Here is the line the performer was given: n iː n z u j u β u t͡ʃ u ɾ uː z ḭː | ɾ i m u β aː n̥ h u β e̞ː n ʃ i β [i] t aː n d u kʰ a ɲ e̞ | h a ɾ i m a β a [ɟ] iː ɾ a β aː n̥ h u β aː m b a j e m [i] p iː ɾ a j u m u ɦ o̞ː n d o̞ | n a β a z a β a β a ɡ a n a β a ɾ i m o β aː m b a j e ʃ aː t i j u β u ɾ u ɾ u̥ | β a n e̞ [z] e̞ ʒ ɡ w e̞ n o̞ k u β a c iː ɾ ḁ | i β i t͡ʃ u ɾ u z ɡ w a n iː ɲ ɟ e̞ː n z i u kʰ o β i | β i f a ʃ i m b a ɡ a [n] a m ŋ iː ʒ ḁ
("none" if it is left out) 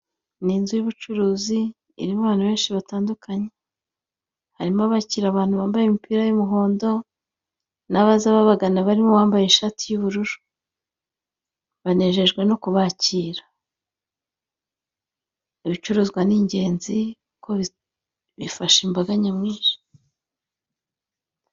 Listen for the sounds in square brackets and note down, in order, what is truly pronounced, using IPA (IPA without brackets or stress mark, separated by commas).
a, c, i, ʒ, ɲ